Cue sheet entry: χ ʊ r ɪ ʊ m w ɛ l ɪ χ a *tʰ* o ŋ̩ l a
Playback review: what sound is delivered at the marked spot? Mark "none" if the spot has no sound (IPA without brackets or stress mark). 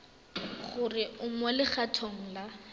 tʰ